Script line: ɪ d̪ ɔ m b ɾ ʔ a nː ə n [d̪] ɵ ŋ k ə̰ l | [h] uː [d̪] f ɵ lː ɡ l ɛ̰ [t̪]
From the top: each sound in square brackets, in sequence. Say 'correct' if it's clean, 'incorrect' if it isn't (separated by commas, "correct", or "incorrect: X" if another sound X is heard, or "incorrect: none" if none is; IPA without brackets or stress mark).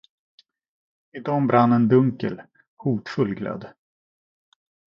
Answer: correct, correct, incorrect: t̪, incorrect: d̪